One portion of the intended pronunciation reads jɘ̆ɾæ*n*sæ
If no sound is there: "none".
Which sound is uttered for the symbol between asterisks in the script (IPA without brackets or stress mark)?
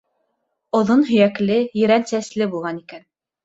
n